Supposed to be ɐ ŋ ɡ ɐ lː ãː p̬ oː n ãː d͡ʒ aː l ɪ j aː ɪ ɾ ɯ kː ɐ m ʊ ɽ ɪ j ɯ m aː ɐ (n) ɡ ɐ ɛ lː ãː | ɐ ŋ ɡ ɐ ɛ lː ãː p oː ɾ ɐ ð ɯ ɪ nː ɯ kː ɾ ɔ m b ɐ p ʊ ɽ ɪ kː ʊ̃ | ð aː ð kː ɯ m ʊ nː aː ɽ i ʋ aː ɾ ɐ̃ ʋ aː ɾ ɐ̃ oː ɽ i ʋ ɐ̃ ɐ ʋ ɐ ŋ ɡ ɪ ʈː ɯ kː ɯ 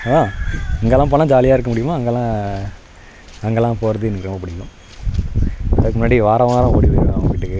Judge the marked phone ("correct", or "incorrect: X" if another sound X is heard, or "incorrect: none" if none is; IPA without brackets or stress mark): incorrect: ŋ